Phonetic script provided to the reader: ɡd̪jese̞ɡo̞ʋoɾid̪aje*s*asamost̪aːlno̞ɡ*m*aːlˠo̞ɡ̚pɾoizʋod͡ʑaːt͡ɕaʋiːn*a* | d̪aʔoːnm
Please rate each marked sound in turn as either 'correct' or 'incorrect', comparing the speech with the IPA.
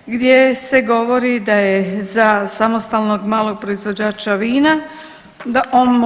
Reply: incorrect: z, correct, correct

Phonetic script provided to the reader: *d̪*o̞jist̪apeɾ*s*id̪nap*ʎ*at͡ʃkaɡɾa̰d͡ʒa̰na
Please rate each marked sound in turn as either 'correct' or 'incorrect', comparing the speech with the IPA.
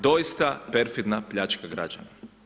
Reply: correct, incorrect: f, correct

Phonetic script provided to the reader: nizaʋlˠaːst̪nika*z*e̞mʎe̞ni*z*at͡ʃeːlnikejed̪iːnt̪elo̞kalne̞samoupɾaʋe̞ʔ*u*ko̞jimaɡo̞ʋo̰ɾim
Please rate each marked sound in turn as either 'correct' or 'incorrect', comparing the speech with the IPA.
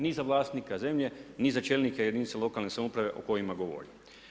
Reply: correct, correct, incorrect: o

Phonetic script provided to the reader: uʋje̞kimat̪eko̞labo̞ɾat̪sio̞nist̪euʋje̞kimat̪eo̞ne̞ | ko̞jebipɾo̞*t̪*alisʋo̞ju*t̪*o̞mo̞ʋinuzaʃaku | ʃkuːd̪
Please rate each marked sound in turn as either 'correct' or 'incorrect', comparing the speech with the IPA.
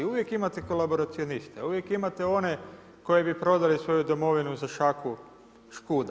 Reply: incorrect: d̪, incorrect: d̪

